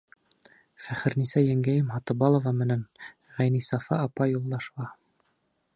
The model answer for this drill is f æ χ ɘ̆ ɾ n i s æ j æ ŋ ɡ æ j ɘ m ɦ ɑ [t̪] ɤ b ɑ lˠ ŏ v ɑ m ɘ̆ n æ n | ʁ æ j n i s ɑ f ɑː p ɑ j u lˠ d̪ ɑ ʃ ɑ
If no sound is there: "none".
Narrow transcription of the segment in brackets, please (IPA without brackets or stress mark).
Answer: t̪